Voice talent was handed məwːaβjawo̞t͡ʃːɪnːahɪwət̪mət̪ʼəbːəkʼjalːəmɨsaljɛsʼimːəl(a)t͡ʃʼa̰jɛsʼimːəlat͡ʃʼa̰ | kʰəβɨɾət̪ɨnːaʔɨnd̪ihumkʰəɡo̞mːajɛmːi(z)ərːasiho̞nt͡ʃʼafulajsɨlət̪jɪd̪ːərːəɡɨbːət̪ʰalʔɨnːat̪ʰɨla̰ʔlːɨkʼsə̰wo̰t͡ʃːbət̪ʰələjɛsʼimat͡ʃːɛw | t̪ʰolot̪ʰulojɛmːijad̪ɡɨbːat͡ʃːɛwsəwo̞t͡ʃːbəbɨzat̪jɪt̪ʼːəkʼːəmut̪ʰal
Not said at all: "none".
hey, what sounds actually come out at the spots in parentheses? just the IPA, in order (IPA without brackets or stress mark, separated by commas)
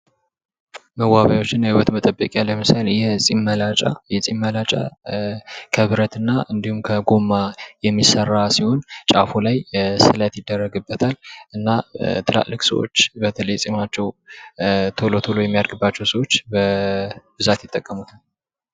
a, s